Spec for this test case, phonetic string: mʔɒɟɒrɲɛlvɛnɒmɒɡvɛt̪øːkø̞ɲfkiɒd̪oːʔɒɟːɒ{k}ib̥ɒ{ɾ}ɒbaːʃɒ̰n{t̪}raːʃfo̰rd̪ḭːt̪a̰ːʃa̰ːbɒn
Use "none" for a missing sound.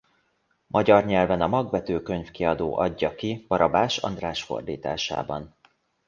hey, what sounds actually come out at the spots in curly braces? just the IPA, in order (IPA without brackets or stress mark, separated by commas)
k, ɾ, d̪